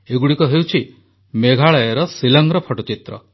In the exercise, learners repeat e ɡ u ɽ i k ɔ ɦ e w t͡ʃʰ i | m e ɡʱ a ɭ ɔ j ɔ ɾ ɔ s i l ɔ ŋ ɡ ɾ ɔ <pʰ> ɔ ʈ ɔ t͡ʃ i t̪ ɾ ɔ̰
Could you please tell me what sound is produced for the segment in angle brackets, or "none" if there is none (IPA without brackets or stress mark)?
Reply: pʰ